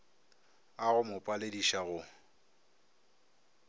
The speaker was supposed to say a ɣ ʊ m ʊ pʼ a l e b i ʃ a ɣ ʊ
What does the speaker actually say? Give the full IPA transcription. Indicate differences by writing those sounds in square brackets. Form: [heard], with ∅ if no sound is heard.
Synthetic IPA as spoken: a ɣ ʊ m ʊ pʼ a l e [d] i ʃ a ɣ ʊ